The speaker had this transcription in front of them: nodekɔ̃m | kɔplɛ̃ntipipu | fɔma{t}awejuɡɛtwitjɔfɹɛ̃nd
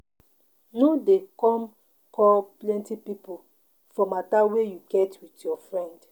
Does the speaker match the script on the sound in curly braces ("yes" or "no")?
yes